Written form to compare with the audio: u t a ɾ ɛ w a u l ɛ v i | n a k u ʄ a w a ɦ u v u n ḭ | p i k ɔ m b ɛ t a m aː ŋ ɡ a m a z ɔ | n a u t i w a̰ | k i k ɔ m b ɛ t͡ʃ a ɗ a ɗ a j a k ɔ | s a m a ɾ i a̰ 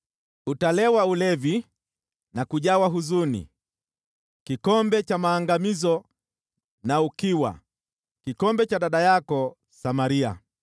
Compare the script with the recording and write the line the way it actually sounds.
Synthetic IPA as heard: u t a l ɛ w a u l ɛ v i | n a k u ʄ a w a ɦ u z u n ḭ | k i k ɔ m b ɛ t͡ʃ a m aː ŋ ɡ a m i z ɔ | n a u k i w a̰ | k i k ɔ m b ɛ t͡ʃ a ɗ a ɗ a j a k ɔ | s a m a ɾ i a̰